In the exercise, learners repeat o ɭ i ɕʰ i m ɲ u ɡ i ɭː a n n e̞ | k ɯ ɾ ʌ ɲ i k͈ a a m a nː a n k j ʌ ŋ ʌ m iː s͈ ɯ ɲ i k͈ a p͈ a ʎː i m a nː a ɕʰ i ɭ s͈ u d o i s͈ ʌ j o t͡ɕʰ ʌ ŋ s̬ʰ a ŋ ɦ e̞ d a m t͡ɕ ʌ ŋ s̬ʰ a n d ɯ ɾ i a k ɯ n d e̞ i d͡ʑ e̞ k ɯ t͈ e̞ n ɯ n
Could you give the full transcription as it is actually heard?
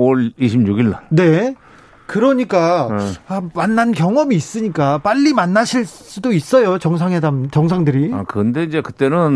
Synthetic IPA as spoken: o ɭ i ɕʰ i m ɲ u ɡ i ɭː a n n e̞ | k ɯ ɾ ʌ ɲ i k͈ a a m a nː a n k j ʌ ŋ ʌ m iː s͈ ɯ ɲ i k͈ a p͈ a ʎː i m a nː a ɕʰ i ɭ s͈ u d o i s͈ ʌ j o t͡ɕ ʌ ŋ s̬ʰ a ŋ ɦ e̞ d a m t͡ɕ ʌ ŋ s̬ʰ a ŋ d ɯ ɾ i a k ɯ n d e̞ i d͡ʑ e̞ k ɯ t͈ e̞ n ɯ n